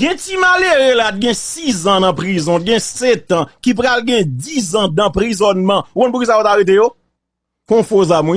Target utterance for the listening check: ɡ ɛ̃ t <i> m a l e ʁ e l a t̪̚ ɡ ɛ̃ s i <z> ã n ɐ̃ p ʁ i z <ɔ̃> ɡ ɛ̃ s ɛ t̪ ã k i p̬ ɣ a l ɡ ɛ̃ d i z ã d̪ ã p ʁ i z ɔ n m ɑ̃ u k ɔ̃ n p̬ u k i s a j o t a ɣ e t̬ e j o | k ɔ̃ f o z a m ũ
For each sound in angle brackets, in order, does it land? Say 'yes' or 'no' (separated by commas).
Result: yes, yes, yes